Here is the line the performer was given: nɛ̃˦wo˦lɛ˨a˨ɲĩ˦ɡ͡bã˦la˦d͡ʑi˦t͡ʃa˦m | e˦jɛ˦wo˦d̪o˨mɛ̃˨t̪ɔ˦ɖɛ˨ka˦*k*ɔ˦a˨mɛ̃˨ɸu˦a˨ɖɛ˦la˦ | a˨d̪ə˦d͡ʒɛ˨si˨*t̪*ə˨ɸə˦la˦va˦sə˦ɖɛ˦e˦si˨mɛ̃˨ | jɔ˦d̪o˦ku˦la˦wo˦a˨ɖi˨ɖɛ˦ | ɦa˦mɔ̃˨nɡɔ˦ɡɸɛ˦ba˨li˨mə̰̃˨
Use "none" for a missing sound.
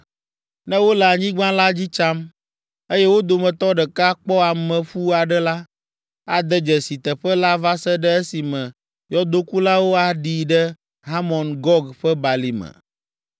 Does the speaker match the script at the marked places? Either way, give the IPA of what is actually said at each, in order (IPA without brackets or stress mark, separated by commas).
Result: k͡p, t̪